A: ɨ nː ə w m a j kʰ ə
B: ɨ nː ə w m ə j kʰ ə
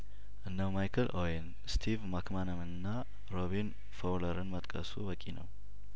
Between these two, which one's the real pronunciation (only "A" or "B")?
A